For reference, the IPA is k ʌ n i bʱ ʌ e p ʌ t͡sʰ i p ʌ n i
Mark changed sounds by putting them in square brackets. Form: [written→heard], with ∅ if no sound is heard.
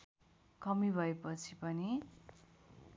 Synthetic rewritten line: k ʌ [n→m] i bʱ ʌ e p ʌ t͡sʰ i p ʌ n i

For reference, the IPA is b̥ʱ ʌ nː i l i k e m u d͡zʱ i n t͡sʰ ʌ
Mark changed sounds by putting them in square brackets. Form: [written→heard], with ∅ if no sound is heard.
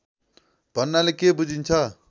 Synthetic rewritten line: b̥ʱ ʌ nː [i→a] l [i→e] k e [m→b] u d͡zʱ i n t͡sʰ ʌ

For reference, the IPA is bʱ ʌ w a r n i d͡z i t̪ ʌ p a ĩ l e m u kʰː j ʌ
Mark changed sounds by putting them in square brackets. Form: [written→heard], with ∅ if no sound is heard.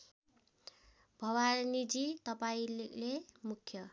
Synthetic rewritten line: bʱ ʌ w a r n i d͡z i t̪ ʌ p a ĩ l e m u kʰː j ʌ

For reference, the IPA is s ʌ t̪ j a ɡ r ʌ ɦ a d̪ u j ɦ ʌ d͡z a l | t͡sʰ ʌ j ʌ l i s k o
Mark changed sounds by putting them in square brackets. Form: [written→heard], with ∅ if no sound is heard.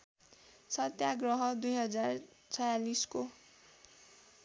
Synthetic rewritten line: s ʌ t̪ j a ɡ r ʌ ɦ [a→ʌ] d̪ u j ɦ ʌ d͡z a [l→r] | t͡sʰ ʌ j [ʌ→a] l i s k o

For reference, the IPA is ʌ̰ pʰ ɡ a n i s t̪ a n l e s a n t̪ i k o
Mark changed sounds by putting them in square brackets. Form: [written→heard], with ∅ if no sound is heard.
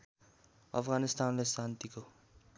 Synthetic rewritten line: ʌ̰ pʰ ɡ a n i s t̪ a n l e s a n t̪ i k o

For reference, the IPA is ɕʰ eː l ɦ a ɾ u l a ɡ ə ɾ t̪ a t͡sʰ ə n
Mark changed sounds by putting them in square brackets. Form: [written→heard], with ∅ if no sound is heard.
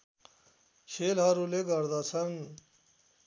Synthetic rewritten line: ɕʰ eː l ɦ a ɾ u l [a→e] ɡ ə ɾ [t̪→d̪] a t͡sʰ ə n

